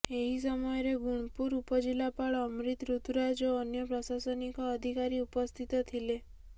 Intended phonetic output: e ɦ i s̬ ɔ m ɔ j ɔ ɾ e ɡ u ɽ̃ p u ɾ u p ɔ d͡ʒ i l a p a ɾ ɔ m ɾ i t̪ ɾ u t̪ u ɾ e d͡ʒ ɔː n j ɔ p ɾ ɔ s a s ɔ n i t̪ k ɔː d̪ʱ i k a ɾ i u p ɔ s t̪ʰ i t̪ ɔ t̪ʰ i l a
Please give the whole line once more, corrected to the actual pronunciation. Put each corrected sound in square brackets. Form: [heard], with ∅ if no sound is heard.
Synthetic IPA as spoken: e ɦ i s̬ ɔ m ɔ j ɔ ɾ e ɡ u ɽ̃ p u ɾ u p ɔ d͡ʒ i l a p a [ɭ] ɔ m ɾ i t̪ ɾ u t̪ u ɾ [a] d͡ʒ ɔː n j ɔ p ɾ ɔ s a s ɔ n i [∅] k ɔː d̪ʱ i k a ɾ i u p ɔ s t̪ʰ i t̪ ɔ t̪ʰ i l [e]

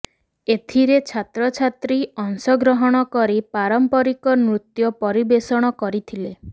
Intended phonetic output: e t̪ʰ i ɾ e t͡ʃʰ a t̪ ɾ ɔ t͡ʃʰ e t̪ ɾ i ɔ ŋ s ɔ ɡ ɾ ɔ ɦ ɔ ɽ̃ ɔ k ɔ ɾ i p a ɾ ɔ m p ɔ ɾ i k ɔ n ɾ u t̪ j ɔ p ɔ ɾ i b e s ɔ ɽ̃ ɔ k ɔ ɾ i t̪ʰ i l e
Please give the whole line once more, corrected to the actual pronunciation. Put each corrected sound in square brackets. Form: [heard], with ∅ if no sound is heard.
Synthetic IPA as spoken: e t̪ʰ i ɾ e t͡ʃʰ a t̪ ɾ ɔ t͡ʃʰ [a] t̪ ɾ i ɔ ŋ s ɔ ɡ ɾ ɔ ɦ ɔ ɽ̃ ɔ k ɔ ɾ i p a ɾ ɔ m p ɔ ɾ i k ɔ n ɾ u t̪ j ɔ p ɔ ɾ i b e s ɔ ɽ̃ ɔ k ɔ ɾ i t̪ʰ i l e

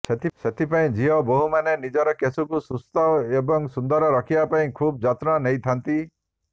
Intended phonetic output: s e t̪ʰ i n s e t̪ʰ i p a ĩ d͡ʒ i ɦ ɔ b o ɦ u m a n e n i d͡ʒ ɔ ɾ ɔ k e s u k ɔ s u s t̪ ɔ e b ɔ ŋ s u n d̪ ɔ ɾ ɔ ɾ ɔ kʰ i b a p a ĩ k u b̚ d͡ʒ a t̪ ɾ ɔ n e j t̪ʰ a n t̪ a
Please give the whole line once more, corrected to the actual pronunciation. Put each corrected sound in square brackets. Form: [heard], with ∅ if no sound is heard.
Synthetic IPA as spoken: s e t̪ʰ i [∅] s e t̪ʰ i p a ĩ d͡ʒ i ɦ ɔ b o ɦ u m a n e n i d͡ʒ ɔ ɾ ɔ k e s u k [u] s u s t̪ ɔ e b ɔ ŋ s u n d̪ ɔ ɾ ɔ ɾ ɔ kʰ i b a p a ĩ [kʰ] u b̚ d͡ʒ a t̪ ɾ ɔ n e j t̪ʰ a n t̪ [i]

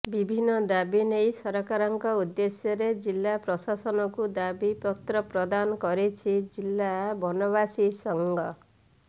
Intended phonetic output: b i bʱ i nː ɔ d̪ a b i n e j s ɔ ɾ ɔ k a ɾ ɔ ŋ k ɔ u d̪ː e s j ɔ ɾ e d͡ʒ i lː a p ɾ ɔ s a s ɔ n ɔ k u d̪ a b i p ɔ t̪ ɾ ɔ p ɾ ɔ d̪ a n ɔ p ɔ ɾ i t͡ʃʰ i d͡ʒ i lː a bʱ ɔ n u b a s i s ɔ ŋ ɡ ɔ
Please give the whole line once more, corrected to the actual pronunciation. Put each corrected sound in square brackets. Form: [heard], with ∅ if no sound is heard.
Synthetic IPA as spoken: b i bʱ i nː ɔ d̪ a b i n e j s ɔ ɾ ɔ k a ɾ ɔ ŋ k ɔ u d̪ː e s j ɔ ɾ e d͡ʒ i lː a p ɾ ɔ s a s ɔ n ɔ k u d̪ a b i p ɔ t̪ ɾ ɔ p ɾ ɔ d̪ a n ɔ [k] ɔ ɾ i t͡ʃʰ i d͡ʒ i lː a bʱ ɔ n [ɔ] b a s i s ɔ ŋ ɡ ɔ

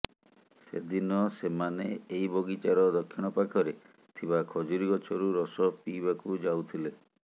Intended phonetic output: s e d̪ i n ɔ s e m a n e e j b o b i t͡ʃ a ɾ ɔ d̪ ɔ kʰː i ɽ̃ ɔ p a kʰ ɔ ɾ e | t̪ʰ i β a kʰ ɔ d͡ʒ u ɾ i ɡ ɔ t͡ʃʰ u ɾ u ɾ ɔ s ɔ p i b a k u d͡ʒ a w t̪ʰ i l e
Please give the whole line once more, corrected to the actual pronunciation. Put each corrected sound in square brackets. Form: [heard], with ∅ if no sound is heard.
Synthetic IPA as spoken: s e d̪ i n ɔ s e m a n e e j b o [ɡ] i t͡ʃ a ɾ ɔ d̪ ɔ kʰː i ɽ̃ ɔ p a kʰ ɔ ɾ e | t̪ʰ i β a kʰ ɔ d͡ʒ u ɾ i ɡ ɔ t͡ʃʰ [ɔ] ɾ u ɾ ɔ s ɔ p i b a k u d͡ʒ a w t̪ʰ i l e

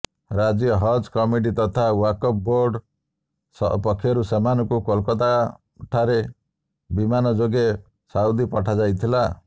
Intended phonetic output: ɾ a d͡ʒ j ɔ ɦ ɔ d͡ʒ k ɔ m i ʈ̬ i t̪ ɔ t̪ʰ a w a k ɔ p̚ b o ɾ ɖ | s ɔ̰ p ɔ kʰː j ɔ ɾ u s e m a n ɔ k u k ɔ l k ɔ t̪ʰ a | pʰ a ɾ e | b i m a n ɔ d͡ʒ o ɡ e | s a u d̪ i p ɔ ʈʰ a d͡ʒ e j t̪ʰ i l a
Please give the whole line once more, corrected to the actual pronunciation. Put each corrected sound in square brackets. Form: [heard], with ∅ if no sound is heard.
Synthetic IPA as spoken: ɾ a d͡ʒ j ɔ ɦ ɔ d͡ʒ k ɔ m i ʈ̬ i t̪ ɔ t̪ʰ a w a k ɔ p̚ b o ɾ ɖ | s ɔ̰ p ɔ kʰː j ɔ ɾ u s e m a n ɔ k u k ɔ l k ɔ [t̪] a | [ʈʰ] a ɾ e | b i m a n ɔ d͡ʒ o ɡ e | s a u d̪ i p ɔ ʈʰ a d͡ʒ [a] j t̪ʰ i l a

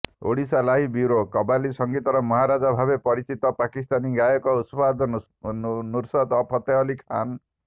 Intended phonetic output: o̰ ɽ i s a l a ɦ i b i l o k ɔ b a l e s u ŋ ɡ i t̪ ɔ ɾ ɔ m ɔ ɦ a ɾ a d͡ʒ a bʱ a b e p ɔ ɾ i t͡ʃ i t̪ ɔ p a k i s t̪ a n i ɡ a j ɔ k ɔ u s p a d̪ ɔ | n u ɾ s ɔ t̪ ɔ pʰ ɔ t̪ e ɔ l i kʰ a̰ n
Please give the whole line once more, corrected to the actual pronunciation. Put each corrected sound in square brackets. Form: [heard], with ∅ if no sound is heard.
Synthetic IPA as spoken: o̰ ɽ i s a l a ɦ i b i [ɾ] o k ɔ b a l [i] s [ɔ] ŋ ɡ i t̪ ɔ ɾ ɔ m ɔ ɦ a ɾ a d͡ʒ a bʱ a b e p ɔ ɾ i t͡ʃ i t̪ ɔ p a k i s t̪ a n i ɡ a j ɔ k ɔ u s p a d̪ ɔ | n u ɾ s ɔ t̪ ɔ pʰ ɔ t̪ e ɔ l i kʰ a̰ n

